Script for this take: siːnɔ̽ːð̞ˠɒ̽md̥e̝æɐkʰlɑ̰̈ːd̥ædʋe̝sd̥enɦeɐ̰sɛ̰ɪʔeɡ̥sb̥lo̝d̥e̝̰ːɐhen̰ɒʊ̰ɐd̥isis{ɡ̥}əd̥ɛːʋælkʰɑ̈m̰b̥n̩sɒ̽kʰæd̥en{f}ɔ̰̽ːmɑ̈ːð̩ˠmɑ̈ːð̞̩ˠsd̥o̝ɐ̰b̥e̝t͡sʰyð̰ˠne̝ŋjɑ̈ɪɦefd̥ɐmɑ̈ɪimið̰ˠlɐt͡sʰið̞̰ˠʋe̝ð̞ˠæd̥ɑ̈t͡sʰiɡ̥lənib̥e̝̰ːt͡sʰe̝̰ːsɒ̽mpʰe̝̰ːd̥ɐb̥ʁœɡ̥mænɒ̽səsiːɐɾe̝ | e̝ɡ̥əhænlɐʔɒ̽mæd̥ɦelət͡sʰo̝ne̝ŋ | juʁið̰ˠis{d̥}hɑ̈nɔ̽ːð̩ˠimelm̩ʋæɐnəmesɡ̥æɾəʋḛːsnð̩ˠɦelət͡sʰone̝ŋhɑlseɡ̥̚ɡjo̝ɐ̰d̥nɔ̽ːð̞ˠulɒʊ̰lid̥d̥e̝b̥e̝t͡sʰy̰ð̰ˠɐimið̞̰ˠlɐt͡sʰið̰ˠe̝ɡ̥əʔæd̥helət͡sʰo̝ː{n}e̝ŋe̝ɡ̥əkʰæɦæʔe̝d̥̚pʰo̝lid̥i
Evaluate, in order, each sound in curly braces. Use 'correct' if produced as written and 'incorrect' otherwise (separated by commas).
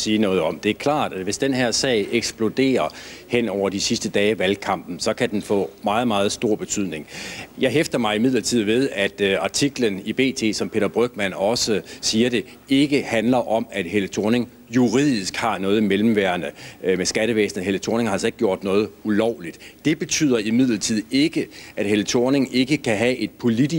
incorrect, correct, incorrect, correct